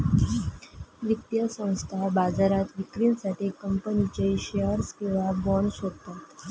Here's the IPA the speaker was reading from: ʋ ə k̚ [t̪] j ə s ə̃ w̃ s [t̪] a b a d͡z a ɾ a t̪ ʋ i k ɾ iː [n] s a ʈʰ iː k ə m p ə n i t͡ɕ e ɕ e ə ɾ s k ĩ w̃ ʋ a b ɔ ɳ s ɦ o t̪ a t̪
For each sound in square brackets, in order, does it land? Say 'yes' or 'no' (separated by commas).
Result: yes, no, yes